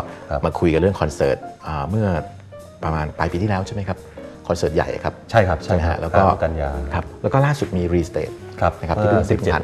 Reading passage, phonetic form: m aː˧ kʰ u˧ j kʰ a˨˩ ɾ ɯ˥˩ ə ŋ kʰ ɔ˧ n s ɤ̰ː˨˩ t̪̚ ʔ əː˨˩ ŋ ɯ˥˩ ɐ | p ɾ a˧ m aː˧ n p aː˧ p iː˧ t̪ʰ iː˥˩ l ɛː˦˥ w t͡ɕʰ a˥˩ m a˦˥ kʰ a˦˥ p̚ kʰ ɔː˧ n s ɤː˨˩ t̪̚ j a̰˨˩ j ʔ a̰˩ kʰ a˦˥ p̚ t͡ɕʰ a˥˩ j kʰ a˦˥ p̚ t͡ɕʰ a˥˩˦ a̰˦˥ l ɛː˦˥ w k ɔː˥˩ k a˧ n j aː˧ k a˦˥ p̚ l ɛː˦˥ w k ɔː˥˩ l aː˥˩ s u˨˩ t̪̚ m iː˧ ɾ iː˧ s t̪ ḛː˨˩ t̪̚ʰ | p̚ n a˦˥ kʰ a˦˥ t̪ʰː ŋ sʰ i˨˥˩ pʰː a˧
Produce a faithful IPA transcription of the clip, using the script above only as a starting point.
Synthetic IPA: m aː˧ kʰ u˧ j k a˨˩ ɾ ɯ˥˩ ə ŋ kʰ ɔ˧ n s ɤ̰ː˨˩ t̪̚ ʔ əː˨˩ m ɯ˥˩ ɐ | p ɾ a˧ m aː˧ n p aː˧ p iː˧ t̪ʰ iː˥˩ l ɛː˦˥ w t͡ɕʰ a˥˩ m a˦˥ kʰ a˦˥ p̚ kʰ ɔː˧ n s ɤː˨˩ t̪̚ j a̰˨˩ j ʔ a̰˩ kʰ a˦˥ p̚ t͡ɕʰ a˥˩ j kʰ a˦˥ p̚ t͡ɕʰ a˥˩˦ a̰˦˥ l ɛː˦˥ w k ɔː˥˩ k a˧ n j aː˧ kʰ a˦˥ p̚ l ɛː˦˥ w k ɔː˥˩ l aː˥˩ s u˨˩ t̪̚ m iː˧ ɾ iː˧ s t̪ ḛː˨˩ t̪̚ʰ | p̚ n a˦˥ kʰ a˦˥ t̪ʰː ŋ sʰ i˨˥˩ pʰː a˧

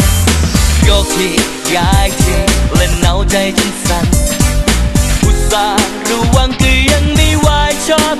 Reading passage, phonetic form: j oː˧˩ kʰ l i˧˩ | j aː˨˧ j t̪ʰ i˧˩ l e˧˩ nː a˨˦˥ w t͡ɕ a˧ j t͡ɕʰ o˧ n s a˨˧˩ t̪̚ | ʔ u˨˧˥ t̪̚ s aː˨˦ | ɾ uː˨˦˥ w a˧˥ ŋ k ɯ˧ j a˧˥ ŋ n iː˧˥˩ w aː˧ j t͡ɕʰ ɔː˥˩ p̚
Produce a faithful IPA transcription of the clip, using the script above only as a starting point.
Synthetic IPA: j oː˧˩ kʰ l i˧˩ | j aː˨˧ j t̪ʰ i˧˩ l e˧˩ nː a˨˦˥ w t͡ɕ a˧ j t͡ɕ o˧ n s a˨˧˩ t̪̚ | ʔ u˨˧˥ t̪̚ s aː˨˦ | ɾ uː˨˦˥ w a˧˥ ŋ k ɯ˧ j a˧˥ ŋ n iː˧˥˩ w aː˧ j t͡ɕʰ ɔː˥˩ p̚

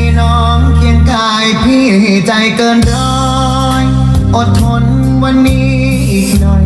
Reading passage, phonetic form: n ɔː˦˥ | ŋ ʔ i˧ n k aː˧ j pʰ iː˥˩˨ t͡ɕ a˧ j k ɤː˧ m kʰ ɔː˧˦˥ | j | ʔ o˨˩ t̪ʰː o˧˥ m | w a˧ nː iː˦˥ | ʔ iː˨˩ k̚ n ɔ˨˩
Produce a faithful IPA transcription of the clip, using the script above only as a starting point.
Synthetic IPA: n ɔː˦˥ | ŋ k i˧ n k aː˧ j pʰ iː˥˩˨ t͡ɕ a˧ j k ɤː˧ n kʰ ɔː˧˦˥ | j | ʔ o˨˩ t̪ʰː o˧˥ n | w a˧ nː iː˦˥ | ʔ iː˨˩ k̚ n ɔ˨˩

